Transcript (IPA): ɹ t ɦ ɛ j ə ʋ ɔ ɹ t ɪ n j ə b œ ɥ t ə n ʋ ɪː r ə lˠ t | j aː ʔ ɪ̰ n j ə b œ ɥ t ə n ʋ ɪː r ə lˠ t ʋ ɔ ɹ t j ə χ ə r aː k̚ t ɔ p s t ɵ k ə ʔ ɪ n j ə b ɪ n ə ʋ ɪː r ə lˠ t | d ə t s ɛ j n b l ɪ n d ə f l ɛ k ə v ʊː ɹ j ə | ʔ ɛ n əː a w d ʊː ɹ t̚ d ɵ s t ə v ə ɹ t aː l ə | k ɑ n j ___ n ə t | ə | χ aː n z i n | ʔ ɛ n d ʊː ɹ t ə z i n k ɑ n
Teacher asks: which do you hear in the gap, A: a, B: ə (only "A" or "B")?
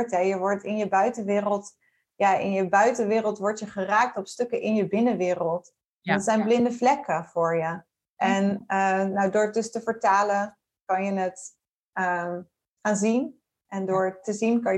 B